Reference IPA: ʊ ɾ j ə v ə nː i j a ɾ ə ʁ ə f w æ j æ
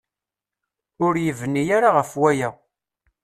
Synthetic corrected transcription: ʊ ɾ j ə v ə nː i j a ɾ a ʁ ə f w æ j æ